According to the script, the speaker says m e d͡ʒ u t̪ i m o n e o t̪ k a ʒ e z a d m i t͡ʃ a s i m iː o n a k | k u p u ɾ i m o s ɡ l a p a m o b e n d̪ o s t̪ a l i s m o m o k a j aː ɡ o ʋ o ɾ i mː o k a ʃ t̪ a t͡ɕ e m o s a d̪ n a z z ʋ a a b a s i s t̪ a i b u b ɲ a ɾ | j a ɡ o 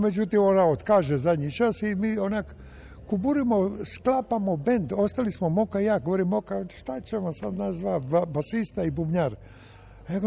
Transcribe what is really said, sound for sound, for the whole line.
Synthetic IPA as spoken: m e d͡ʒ u t̪ i m o n a o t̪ k a ʒ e z a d ɲ i t͡ʃ a s i m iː o n a k | k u b u ɾ i m o s k l a p a m o b e n d̪ o s t̪ a l i s m o m o k a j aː ɡ o ʋ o ɾ i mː o k a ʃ t̪ a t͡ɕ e m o s a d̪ n a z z ʋ a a b a s i s t̪ a i b u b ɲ a ɾ | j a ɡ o